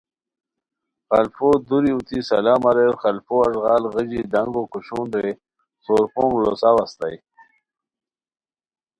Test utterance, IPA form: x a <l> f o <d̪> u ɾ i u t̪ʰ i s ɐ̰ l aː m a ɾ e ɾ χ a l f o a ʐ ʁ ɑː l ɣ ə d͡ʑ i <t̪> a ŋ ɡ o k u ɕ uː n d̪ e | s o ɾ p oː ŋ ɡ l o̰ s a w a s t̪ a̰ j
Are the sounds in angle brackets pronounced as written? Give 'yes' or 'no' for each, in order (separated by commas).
yes, yes, no